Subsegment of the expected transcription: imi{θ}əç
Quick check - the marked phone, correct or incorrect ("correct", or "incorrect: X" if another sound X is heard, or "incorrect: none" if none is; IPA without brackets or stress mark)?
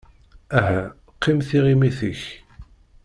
correct